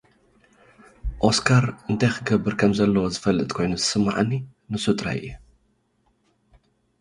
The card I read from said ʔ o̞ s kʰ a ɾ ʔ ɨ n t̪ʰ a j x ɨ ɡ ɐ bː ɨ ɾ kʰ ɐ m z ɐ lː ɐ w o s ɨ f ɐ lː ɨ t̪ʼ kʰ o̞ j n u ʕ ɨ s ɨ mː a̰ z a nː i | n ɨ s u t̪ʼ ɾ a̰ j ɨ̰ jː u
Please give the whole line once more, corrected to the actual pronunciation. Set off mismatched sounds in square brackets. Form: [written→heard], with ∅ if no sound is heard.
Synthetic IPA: ʔ o̞ s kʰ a ɾ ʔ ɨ n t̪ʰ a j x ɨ ɡ ɐ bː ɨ ɾ kʰ ɐ m z ɐ lː ɐ w o [s→z] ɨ f ɐ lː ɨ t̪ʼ kʰ o̞ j n u [ʕ→z] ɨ s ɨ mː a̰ [z→ʕ] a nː i | n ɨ s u t̪ʼ ɾ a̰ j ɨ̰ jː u

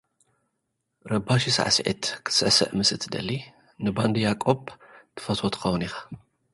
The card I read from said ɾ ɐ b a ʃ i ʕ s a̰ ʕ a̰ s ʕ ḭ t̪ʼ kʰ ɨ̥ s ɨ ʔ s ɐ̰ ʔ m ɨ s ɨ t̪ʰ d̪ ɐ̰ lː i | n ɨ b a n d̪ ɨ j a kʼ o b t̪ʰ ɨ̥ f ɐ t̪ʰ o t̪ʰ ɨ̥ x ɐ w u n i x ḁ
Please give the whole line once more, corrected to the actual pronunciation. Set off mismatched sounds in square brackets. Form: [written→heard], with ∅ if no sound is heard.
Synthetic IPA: ɾ ɐ b a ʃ i [ʕ→∅] s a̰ ʕ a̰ s ʕ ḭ [t̪ʼ→t̪] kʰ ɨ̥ s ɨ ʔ s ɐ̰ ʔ m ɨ s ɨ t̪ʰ d̪ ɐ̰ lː i | n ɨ b a n d̪ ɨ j a kʼ o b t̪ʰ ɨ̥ f ɐ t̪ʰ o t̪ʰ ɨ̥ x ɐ w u n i x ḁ

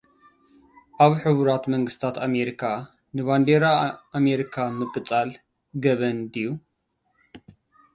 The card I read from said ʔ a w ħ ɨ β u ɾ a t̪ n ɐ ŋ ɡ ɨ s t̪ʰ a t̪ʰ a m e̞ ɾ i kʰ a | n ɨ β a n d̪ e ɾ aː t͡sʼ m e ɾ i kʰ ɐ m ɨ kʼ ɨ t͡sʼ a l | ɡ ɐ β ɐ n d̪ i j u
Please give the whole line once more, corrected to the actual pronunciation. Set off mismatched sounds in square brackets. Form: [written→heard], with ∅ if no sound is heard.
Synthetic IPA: ʔ a [w→β] ħ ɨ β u ɾ a t̪ [n→m] ɐ ŋ ɡ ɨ s t̪ʰ a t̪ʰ a m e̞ ɾ i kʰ a | n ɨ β a n d̪ e ɾ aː [t͡sʼ→∅] m e ɾ i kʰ [ɐ→a] m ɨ kʼ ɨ t͡sʼ a l | ɡ ɐ β ɐ n d̪ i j u

